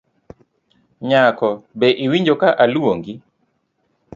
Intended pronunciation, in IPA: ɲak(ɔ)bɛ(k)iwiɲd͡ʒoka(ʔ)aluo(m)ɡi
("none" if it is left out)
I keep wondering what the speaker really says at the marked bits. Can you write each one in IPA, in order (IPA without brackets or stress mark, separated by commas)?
ɔ, ʔ, ʔ, ŋ